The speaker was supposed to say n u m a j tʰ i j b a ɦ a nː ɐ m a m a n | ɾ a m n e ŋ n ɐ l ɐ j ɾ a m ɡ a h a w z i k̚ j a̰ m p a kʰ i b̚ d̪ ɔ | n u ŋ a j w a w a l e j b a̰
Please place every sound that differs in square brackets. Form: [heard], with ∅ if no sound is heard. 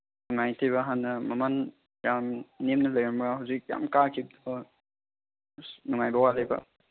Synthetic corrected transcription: n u [ŋ] a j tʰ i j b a ɦ a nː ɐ m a m a n | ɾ a m n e [m] n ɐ l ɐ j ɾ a m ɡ a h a w z i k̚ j a̰ m [k] a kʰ i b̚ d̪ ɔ | n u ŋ a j [b] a w a l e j b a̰